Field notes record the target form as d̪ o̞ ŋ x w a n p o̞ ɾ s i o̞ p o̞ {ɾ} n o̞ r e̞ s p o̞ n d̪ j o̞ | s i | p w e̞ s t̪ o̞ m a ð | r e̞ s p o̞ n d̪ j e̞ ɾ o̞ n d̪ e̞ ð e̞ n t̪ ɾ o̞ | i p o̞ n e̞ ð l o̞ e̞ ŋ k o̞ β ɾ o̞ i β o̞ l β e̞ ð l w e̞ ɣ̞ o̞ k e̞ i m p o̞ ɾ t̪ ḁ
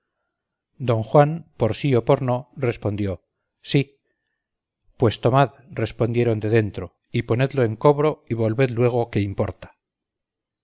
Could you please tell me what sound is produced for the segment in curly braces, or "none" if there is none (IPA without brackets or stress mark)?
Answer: ɾ